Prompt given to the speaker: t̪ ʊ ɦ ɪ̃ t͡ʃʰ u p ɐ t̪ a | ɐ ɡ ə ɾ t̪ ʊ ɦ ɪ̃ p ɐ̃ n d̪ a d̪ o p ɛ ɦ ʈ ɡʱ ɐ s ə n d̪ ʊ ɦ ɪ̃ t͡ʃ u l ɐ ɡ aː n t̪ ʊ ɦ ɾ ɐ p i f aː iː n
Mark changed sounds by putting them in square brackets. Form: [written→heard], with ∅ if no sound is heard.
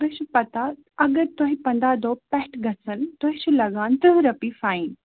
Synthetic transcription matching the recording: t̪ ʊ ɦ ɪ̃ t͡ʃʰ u p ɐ t̪ a | ɐ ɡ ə ɾ t̪ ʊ ɦ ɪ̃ p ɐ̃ n d̪ a d̪ o p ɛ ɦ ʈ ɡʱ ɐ s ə n [d̪→t̪] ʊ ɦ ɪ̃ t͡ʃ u l ɐ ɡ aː n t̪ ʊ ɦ ɾ ɐ p i f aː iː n